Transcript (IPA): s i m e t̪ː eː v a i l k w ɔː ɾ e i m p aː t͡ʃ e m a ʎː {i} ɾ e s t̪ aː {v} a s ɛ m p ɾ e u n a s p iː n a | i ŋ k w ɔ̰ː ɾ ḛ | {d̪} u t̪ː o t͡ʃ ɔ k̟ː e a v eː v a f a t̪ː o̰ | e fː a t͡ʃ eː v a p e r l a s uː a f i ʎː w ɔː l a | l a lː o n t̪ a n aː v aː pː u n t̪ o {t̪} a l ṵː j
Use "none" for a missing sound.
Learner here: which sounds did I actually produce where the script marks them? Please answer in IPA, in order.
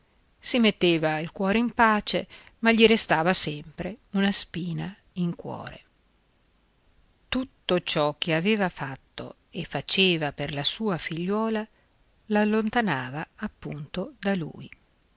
i, v, t̪, d̪

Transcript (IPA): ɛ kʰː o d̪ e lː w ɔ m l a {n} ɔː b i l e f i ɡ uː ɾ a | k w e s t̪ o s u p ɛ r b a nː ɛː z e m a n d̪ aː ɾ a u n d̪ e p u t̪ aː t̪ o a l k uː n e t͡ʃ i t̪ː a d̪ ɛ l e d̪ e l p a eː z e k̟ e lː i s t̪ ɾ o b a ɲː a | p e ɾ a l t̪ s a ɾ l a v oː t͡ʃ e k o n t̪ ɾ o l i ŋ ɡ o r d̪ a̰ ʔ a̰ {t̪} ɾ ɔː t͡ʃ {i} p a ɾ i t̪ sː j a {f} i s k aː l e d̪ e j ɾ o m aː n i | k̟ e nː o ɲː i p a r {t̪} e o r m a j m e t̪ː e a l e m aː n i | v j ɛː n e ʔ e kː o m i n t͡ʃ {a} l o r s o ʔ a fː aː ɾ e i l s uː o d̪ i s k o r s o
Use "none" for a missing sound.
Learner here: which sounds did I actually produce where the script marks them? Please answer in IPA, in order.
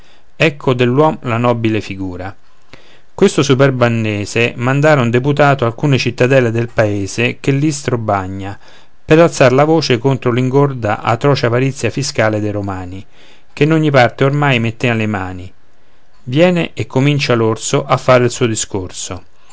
n, t̪, a, f, t̪, a

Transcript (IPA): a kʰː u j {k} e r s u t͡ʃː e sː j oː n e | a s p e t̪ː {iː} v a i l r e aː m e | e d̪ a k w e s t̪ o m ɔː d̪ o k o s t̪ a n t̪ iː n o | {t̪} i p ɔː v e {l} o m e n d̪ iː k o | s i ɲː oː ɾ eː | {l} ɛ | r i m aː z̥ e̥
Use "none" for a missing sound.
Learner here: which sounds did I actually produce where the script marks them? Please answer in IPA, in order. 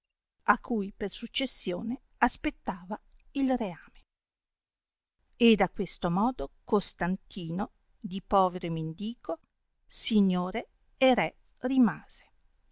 p, aː, d̪, ɾ, ɾ

